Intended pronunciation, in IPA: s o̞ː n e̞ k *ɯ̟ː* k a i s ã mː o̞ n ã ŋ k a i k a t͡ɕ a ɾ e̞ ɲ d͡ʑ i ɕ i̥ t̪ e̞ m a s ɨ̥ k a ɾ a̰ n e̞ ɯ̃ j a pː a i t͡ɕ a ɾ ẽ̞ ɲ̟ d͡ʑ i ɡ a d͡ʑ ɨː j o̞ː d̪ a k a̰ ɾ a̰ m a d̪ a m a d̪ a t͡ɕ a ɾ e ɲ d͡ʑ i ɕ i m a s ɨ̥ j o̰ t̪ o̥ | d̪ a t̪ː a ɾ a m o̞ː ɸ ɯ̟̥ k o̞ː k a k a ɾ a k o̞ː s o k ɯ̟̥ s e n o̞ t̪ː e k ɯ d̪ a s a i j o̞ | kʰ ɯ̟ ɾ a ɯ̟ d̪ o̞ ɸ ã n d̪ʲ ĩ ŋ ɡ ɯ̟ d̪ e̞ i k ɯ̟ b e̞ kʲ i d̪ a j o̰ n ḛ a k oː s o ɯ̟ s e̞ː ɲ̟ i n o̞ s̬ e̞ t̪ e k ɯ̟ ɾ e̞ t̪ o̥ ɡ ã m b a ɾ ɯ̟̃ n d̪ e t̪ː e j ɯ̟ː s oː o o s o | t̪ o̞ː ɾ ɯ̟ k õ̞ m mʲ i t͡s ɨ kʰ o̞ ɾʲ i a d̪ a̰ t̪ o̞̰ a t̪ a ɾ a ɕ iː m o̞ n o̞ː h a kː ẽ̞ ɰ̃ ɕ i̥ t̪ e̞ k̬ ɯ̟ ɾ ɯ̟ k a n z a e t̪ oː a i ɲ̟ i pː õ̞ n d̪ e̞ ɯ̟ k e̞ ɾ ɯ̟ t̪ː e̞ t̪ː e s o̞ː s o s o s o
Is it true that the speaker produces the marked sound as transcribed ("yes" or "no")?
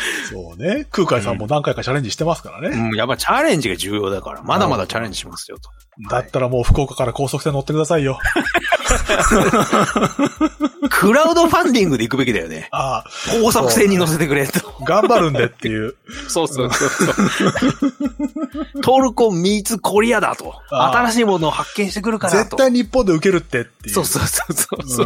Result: yes